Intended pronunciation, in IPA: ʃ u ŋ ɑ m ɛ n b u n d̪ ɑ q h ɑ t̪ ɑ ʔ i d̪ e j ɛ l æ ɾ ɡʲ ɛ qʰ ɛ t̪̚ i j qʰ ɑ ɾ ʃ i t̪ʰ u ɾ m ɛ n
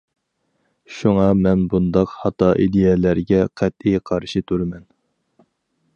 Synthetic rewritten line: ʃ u ŋ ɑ m ɛ n b u n d̪ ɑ q h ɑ t̪ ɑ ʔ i d̪ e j ɛ l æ ɾ ɡʲ ɛ qʰ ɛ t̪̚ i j qʰ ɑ ɾ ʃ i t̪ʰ u ɾ m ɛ n